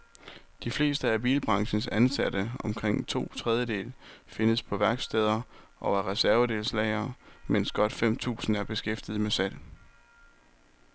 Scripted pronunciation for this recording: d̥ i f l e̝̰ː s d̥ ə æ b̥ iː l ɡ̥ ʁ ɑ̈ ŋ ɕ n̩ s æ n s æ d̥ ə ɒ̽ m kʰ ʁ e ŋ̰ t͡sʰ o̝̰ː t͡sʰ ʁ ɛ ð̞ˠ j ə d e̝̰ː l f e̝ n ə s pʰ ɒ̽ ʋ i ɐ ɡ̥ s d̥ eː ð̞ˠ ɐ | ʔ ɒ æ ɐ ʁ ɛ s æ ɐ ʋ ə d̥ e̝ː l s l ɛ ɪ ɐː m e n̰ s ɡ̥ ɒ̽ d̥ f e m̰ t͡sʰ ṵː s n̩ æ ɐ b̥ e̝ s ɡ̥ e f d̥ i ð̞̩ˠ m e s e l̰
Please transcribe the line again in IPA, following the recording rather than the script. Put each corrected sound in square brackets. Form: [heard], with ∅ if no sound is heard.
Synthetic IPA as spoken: d̥ i f l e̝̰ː s d̥ ə æ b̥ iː l [b̥] ʁ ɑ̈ ŋ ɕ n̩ s æ n s æ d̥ ə ɒ̽ m kʰ ʁ e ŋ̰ t͡sʰ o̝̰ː t͡sʰ ʁ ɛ ð̞ˠ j ə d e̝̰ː l f e̝ n ə s pʰ ɒ̽ ʋ [æ] ɐ ɡ̥ s d̥ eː ð̞ˠ ɐ | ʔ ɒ æ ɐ ʁ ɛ s æ ɐ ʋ ə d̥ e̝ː l s l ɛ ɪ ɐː m e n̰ s ɡ̥ ɒ̽ d̥ f e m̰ t͡sʰ ṵː s n̩ æ ɐ b̥ e̝ s ɡ̥ e f d̥ i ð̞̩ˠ m e s [æ] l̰